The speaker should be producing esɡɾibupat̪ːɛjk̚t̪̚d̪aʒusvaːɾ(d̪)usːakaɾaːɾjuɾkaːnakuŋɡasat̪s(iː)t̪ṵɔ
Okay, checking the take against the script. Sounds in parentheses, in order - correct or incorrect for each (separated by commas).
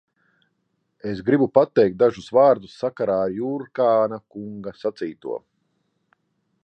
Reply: correct, correct